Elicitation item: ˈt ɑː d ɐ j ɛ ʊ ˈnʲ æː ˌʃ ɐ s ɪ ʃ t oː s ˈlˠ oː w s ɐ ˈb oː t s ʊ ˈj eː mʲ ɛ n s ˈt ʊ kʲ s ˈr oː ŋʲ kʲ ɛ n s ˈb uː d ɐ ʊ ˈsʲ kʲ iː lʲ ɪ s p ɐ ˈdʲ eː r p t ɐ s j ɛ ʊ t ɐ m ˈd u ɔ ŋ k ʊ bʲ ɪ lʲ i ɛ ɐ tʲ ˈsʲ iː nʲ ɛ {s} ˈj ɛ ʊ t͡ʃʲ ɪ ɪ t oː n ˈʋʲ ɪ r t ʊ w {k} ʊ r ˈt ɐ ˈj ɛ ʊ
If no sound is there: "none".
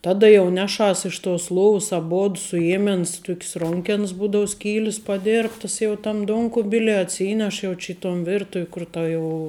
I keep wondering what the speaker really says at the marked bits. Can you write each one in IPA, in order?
ʃ, k

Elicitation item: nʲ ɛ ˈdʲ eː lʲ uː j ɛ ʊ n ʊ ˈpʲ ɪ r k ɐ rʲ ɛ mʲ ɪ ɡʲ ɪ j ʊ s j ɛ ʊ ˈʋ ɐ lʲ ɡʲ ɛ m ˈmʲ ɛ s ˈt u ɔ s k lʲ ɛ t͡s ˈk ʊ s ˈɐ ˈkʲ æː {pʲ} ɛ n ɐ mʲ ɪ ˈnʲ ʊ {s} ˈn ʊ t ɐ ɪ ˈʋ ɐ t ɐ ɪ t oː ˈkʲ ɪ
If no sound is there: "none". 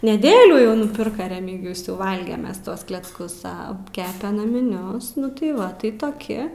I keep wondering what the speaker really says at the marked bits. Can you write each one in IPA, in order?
pʲ, s

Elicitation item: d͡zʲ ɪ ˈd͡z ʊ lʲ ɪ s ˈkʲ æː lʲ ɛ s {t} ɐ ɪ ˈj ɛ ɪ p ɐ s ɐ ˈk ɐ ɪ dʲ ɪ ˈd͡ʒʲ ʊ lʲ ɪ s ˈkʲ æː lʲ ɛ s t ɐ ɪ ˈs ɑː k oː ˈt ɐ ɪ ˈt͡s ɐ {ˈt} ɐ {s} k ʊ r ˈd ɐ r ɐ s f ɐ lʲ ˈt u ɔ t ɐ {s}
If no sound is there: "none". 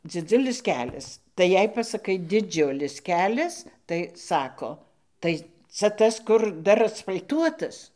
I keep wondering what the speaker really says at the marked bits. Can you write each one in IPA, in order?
t, t, s, s

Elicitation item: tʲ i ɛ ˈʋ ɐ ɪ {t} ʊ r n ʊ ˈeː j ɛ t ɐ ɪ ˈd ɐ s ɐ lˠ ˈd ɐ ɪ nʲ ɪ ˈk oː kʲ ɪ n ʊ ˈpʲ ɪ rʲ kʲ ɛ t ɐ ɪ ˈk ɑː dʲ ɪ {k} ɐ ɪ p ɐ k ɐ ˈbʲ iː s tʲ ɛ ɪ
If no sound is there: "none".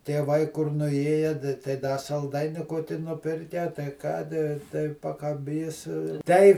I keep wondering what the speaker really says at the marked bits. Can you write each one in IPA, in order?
k, t

